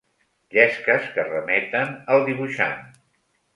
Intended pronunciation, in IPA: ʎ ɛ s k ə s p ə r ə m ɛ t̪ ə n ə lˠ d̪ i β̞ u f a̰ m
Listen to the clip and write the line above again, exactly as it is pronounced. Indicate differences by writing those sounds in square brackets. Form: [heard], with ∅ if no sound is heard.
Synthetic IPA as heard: ʎ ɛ s k ə s [k] ə r ə m ɛ t̪ ə n ə lˠ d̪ i β̞ u [ʃ] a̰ [n]